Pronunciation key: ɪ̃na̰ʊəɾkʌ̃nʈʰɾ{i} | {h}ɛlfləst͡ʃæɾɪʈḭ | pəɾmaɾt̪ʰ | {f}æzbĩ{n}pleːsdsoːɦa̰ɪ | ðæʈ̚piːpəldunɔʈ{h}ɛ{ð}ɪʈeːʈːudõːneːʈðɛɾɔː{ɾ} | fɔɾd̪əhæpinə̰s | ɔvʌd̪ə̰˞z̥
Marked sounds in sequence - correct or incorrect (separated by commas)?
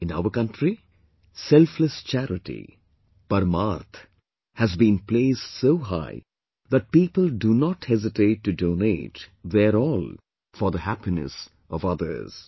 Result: correct, incorrect, incorrect, correct, correct, incorrect, incorrect